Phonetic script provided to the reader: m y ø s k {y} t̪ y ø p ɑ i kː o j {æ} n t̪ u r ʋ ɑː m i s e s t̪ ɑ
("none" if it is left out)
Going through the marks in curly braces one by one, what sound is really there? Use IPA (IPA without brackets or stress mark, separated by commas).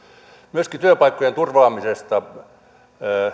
i, e